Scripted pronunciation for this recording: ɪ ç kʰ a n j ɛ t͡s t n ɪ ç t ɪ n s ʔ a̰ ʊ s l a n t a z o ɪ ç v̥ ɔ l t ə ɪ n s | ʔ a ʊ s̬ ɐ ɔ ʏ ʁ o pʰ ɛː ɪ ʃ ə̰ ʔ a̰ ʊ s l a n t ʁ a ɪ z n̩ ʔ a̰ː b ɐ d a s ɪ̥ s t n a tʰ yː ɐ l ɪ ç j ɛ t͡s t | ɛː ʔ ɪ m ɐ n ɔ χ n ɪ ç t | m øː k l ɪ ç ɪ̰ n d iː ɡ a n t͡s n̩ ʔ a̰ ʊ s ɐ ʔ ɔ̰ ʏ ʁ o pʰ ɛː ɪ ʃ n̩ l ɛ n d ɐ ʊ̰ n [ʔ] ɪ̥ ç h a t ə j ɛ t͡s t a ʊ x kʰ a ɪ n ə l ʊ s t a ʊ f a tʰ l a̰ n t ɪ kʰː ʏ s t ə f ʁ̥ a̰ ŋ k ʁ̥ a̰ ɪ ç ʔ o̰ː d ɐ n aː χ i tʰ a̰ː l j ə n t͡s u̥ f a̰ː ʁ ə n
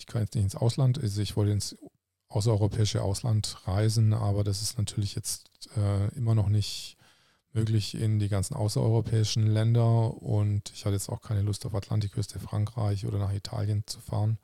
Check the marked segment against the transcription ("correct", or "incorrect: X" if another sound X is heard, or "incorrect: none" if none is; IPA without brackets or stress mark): incorrect: t